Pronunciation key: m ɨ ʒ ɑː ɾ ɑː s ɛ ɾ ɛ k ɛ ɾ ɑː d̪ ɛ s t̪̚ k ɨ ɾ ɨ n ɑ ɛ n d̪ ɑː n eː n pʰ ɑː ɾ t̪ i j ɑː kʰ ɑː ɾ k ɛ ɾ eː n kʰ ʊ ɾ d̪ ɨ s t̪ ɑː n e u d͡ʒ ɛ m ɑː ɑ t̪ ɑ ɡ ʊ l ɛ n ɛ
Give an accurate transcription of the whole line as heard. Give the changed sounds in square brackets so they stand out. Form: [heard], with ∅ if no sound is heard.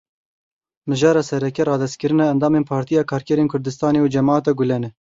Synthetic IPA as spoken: m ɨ ʒ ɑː ɾ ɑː s ɛ ɾ ɛ k ɛ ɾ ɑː d̪ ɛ s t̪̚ k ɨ ɾ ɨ n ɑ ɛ n d̪ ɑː [m] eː n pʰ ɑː ɾ t̪ i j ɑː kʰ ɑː ɾ k ɛ ɾ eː n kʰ ʊ ɾ d̪ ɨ s t̪ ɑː n e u d͡ʒ ɛ m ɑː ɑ t̪ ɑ ɡ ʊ l ɛ n ɛ